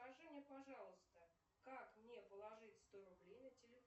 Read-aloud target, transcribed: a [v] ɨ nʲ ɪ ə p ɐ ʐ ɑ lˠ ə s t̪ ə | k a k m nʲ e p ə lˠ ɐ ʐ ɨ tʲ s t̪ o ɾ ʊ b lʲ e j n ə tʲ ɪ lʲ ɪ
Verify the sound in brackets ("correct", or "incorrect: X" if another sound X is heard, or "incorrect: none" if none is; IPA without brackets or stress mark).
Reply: incorrect: ʐ